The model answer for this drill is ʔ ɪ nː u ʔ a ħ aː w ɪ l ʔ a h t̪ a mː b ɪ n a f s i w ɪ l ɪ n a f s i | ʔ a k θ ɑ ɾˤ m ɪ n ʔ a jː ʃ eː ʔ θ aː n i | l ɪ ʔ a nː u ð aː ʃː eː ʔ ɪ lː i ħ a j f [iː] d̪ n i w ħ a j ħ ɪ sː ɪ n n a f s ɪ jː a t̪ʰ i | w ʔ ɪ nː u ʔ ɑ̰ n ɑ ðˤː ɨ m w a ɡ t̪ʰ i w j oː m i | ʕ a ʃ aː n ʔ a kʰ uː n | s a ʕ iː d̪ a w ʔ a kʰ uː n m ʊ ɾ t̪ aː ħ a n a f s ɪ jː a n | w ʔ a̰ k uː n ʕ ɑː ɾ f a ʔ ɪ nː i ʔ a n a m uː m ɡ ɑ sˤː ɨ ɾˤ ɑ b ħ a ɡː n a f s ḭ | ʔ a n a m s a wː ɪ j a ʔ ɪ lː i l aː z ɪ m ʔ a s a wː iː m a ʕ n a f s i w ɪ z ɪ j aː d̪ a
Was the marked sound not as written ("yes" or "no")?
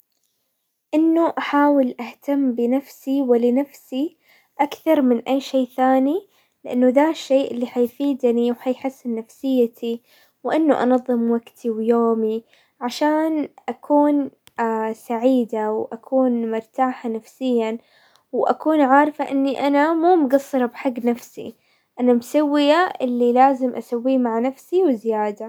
no